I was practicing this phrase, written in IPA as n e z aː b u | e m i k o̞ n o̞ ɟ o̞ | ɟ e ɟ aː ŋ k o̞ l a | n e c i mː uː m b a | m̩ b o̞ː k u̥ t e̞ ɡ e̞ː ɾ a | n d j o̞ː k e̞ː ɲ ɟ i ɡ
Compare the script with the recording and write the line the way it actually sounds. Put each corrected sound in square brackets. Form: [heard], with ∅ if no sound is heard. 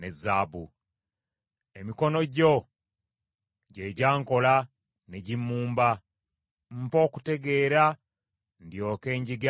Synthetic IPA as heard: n e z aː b u | e m i k o̞ n o̞ ɟ o̞ | ɟ e ɟ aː ŋ k o̞ l a | n e [ɟ] i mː uː m b a | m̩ [p] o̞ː k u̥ t e̞ ɡ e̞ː ɾ a | n d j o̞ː k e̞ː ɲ ɟ i ɡ